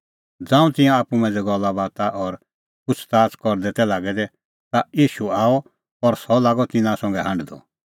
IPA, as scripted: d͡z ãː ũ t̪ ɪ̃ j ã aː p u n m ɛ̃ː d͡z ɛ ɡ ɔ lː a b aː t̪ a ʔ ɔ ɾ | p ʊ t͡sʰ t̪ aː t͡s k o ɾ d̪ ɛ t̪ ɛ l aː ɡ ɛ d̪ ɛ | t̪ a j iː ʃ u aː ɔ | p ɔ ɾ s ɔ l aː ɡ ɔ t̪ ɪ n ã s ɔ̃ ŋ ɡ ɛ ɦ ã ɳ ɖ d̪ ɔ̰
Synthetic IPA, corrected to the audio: d͡z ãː ũ t̪ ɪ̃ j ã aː p u m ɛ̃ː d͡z ɛ ɡ ɔ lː a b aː t̪ a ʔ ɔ ɾ | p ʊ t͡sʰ t̪ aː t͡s k ɔ ɾ d̪ ɛ t̪ ɛ l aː ɡ ɛ d̪ ɛ | t̪ a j iː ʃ u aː ɔ | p ɔ ɾ s ɔ l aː ɡ ɔ t̪ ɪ n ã s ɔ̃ ŋ ɡ ɛ ɦ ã ɳ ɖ d̪ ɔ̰